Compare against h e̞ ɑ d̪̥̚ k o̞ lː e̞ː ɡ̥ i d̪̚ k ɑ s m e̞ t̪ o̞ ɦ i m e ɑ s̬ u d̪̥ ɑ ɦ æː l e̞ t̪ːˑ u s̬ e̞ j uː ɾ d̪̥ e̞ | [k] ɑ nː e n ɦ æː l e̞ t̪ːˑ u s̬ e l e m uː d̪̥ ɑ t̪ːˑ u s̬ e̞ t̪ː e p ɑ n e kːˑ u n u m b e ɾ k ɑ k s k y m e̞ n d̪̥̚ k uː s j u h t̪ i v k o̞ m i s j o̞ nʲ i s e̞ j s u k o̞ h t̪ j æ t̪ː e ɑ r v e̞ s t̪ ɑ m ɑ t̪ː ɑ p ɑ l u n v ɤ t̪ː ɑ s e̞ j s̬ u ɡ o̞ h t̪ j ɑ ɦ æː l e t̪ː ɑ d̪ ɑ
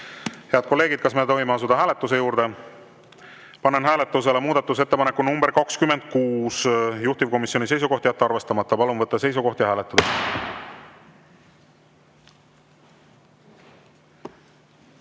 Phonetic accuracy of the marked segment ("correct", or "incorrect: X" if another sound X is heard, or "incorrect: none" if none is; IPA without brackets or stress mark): incorrect: p